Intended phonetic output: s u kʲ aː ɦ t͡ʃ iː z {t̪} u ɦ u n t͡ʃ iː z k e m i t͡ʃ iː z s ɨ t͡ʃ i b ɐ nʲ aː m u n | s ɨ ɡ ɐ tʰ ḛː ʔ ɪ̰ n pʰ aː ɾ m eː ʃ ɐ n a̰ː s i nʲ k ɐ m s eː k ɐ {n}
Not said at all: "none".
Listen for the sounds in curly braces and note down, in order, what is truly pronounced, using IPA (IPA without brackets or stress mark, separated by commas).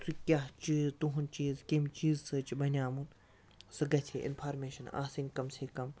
t̪, m